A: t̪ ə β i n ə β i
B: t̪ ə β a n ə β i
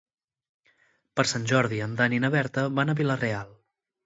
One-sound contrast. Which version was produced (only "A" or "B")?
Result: B